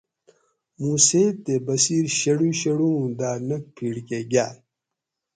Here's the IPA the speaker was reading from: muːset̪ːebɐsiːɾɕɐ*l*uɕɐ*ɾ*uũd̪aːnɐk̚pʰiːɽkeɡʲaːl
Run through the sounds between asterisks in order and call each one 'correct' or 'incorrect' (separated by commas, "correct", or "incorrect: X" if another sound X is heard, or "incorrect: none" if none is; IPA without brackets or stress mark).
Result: incorrect: ɽ, incorrect: ɽ